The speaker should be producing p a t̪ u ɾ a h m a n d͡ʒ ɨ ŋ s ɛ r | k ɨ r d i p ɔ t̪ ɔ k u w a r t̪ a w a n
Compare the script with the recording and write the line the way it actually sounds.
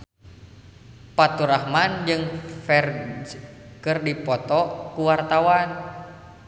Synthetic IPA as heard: p a t̪ u ɾ a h m a n d͡ʒ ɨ ŋ f ɛ r | k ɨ r d i p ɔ t̪ ɔ k u w a r t̪ a w a n